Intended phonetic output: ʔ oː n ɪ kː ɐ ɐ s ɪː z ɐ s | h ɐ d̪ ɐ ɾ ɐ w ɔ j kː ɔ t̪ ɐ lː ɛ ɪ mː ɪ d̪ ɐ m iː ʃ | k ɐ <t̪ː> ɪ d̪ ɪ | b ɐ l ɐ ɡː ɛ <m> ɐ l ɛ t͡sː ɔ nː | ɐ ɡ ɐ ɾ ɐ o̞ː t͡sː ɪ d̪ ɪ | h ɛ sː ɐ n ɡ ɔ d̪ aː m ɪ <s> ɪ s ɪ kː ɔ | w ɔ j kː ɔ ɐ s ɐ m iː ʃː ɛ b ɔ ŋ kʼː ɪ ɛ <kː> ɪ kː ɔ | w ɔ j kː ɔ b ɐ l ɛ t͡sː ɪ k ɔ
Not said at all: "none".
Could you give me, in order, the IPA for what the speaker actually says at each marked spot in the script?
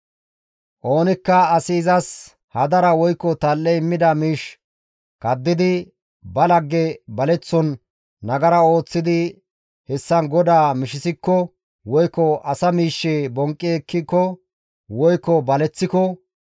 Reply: d̪ː, b, ʃ, kː

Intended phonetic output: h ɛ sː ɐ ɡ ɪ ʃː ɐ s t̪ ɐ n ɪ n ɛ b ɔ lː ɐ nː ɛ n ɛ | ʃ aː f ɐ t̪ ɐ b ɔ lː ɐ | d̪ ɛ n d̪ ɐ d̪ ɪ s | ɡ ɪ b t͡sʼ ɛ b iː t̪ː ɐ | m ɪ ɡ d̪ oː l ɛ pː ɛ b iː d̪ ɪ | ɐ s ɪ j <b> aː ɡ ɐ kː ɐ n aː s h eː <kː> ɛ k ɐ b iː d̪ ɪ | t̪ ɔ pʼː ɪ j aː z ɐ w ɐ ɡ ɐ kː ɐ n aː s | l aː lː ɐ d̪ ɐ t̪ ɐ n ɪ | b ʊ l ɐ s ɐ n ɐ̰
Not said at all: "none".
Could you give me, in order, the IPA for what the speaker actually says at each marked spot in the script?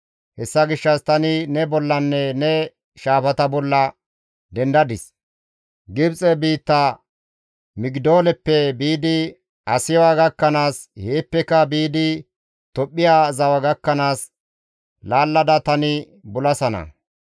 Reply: w, pː

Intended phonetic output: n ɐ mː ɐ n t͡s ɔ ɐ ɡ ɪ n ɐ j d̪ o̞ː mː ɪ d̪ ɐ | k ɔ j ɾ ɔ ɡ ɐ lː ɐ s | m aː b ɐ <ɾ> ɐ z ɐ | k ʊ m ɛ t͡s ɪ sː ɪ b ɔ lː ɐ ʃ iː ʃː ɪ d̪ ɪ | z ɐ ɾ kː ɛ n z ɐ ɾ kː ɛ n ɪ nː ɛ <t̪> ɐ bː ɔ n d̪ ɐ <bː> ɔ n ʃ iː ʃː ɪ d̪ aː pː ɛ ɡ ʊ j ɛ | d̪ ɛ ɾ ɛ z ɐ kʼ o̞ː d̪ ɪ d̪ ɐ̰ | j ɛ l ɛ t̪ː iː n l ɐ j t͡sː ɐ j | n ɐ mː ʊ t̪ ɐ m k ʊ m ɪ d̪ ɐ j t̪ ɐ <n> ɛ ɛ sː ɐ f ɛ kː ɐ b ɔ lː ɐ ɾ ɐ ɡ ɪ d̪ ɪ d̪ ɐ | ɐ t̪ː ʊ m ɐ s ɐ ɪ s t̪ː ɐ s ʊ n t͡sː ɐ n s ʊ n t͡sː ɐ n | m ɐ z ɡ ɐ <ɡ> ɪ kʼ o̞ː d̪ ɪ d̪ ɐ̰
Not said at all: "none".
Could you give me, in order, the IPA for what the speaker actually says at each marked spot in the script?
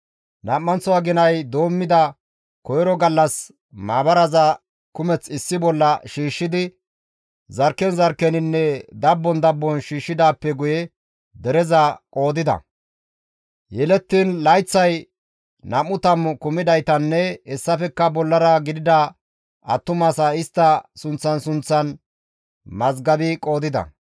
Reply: ɾ, d̪, bː, nː, b

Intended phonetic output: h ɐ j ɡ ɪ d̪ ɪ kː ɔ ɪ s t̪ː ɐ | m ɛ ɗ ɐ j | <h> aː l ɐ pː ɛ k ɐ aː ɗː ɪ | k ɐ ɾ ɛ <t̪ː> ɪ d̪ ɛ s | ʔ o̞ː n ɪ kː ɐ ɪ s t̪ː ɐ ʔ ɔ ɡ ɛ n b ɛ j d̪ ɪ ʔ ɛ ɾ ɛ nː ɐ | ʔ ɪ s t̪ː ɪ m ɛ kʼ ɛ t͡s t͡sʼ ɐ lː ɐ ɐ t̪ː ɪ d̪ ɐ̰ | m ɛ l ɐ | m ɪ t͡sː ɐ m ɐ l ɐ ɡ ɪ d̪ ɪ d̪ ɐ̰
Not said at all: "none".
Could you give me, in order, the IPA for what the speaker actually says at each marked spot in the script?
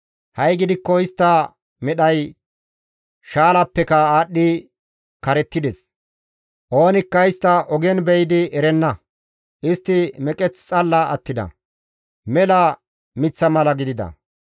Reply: ʃ, t̪ː

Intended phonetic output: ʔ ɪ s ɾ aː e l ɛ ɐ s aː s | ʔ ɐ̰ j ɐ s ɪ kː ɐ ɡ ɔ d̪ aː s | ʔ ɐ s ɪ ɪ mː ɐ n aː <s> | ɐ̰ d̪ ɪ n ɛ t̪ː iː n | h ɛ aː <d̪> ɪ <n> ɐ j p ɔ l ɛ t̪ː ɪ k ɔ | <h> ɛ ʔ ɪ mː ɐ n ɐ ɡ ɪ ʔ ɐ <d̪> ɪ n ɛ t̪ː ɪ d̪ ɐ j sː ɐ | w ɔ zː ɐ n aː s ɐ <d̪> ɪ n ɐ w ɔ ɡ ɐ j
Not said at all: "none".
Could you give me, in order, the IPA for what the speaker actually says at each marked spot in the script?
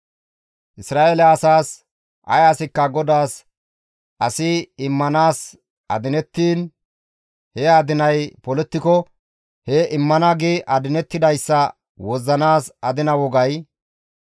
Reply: s, d̪, n, h, d̪, d̪

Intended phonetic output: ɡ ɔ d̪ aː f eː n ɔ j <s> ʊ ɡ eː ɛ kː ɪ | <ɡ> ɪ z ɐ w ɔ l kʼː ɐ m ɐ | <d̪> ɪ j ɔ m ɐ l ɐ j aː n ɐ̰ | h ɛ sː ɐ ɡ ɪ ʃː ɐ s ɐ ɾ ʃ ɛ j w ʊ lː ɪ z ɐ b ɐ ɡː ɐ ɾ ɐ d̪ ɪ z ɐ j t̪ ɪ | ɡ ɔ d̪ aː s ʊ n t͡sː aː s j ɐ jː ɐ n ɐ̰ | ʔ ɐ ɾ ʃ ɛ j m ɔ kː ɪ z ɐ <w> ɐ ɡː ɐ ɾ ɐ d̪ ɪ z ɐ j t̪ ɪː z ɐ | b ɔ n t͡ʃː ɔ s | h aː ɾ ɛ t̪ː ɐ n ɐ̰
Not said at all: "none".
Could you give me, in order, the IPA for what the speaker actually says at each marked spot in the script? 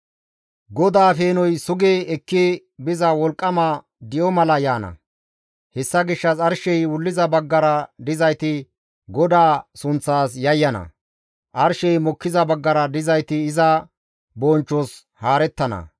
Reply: s, b, d̪, b

